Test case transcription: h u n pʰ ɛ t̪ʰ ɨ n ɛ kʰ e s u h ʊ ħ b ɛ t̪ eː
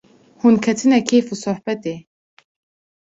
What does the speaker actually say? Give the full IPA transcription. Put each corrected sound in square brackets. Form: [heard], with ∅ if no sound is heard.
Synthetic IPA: h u n [kʰ] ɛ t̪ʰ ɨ n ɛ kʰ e [f] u [s] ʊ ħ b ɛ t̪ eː